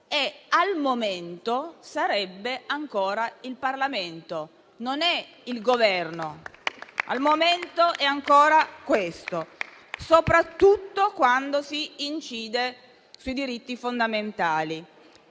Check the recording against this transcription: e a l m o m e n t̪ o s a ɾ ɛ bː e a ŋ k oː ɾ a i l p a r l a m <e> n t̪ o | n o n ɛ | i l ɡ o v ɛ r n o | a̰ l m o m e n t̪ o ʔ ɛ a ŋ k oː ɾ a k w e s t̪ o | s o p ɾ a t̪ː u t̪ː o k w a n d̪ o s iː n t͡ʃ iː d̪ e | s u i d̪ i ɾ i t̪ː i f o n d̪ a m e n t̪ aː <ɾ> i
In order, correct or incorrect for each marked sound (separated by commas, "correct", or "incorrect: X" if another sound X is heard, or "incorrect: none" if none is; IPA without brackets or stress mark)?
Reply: correct, incorrect: l